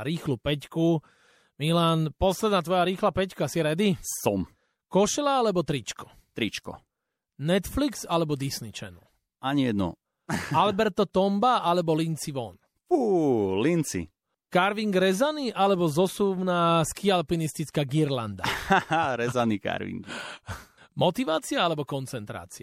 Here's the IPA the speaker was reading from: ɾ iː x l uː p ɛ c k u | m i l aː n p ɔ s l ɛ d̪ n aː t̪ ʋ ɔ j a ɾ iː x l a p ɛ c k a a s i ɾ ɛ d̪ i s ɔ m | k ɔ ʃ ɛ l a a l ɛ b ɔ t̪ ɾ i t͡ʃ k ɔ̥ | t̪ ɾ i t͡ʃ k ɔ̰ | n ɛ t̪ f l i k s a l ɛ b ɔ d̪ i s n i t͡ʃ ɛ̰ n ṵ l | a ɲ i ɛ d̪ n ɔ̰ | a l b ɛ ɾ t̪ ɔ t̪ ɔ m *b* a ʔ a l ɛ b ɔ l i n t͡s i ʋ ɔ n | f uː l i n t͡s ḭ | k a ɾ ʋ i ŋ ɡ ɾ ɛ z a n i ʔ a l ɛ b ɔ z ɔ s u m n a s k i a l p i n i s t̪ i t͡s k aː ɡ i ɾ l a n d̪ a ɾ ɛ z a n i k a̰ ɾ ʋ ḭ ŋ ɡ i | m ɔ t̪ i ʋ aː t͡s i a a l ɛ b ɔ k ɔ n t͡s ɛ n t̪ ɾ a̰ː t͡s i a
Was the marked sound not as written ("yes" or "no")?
no